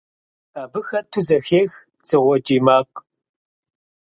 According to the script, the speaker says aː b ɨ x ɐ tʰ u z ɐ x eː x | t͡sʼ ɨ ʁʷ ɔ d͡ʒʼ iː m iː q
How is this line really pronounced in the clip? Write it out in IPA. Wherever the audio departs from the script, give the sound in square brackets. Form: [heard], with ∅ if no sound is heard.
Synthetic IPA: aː b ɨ x ɐ tʰ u z ɐ x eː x | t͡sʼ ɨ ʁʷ ɔ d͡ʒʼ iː m [aː] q